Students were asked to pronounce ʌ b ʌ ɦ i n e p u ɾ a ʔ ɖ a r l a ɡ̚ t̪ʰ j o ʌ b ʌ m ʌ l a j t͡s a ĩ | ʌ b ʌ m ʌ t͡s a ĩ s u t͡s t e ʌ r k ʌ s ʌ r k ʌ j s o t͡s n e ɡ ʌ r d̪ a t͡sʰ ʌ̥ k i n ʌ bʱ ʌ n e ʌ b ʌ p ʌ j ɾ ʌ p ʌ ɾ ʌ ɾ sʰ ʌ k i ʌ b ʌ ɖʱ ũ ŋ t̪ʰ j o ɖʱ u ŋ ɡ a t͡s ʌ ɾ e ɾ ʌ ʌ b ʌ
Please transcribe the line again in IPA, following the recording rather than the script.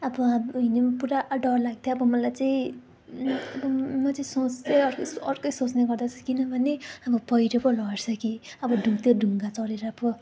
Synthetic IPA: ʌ b ʌ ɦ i n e p u ɾ a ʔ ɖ ʌ r l a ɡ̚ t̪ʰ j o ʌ b ʌ m ʌ l a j t͡s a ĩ | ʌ b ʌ m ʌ t͡s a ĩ s o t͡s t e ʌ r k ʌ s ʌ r k ʌ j s o t͡s n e ɡ ʌ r d̪ a t͡sʰ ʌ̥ k i n ʌ bʱ ʌ n e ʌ b ʌ p ʌ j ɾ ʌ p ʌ l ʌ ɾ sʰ ʌ k i ʌ b ʌ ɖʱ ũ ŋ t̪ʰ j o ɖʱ u ŋ ɡ a t͡s ʌ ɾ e ɾ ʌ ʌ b ʌ